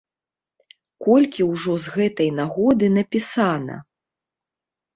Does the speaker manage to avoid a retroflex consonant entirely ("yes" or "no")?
no